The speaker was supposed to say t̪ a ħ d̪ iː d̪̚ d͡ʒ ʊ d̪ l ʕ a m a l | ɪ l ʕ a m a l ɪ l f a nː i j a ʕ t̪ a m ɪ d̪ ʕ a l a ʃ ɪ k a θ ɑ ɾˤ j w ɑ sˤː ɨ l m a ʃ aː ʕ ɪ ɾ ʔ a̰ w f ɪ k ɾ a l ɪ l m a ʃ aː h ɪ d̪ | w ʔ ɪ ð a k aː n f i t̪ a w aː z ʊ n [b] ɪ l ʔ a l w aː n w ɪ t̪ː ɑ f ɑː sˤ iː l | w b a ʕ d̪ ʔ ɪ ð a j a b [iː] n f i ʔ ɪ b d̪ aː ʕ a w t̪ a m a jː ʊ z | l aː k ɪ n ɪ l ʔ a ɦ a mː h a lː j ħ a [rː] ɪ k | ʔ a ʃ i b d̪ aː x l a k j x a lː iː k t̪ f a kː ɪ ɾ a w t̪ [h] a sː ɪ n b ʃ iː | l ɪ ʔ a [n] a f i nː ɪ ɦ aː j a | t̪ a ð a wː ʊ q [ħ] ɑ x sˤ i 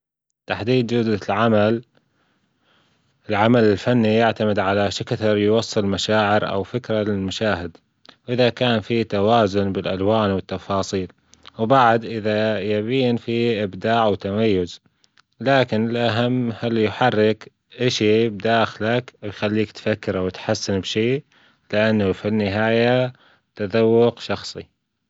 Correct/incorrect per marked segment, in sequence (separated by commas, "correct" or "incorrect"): correct, correct, correct, incorrect, incorrect, incorrect